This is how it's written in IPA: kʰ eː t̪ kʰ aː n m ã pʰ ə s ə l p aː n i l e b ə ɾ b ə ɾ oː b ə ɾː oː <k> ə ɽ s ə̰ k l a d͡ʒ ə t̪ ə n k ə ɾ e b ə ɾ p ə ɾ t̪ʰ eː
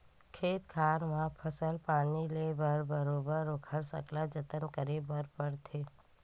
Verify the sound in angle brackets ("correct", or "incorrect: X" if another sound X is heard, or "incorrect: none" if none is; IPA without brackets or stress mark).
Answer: incorrect: kʰ